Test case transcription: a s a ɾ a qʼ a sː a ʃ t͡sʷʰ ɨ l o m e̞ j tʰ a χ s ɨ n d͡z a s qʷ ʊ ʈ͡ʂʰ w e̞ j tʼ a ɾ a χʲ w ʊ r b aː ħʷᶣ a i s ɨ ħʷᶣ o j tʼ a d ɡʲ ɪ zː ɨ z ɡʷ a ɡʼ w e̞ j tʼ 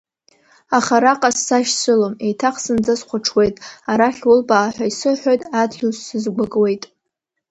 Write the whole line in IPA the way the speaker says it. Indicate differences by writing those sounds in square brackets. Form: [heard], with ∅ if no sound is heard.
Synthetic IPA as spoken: a [χ] a ɾ a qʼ a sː a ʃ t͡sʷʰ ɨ l o m e̞ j tʰ a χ s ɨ n d͡z a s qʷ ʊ ʈ͡ʂʰ w e̞ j tʼ a ɾ a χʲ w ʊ [l] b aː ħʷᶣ a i s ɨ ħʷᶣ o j tʼ a d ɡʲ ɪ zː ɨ z ɡʷ a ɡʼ w e̞ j tʼ